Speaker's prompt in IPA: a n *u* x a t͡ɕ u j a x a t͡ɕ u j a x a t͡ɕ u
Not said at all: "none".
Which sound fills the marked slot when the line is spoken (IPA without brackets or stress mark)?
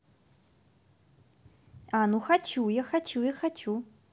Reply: u